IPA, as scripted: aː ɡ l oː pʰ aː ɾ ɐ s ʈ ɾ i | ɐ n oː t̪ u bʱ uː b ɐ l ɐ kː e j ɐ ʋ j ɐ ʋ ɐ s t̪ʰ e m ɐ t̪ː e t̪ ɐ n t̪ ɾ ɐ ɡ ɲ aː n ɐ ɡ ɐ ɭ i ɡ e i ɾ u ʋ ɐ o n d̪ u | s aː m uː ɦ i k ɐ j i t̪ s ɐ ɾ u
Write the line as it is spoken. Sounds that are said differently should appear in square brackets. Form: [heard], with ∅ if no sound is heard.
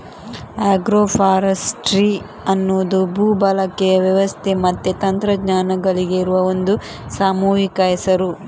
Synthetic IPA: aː ɡ [ɾ] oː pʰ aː ɾ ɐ s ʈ ɾ i | ɐ [nː] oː [d̪] u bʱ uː b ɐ l ɐ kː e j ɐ ʋ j ɐ ʋ ɐ s t̪ʰ e m ɐ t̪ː e t̪ ɐ n t̪ ɾ ɐ ɡ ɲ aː n ɐ ɡ ɐ ɭ i ɡ e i ɾ u ʋ ɐ o n d̪ u | s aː m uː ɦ i k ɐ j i [∅] s ɐ ɾ u